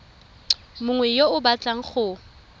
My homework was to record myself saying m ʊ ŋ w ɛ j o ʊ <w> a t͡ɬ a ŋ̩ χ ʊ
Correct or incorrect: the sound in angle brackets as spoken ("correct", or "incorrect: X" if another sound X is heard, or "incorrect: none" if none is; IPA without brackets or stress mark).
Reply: incorrect: b